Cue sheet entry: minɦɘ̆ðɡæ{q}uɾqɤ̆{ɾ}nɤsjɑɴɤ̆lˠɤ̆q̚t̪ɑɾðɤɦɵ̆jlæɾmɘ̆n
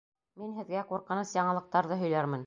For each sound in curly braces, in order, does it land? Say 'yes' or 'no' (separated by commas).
yes, no